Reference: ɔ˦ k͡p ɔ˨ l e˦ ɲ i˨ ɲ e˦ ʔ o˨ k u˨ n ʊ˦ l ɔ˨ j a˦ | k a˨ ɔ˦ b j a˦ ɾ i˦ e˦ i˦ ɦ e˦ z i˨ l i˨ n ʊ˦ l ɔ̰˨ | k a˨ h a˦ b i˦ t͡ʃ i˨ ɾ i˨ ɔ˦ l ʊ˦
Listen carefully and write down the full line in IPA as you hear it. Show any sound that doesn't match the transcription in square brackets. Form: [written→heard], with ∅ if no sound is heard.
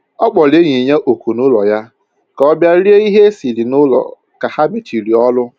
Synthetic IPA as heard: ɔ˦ k͡p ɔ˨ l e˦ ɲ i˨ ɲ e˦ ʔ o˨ k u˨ n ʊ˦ l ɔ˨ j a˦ | k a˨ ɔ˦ b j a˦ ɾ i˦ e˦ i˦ ɦ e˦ [z→s] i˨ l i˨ n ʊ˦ l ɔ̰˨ | k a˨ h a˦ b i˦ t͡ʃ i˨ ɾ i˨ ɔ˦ l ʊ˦